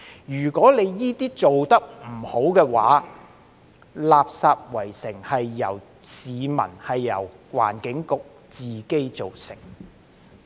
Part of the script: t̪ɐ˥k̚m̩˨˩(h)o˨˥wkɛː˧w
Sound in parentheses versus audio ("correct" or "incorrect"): correct